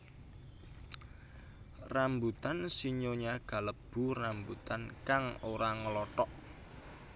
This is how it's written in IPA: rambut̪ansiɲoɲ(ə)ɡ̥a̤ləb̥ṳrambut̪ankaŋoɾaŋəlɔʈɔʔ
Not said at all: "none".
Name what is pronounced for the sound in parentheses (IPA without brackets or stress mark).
a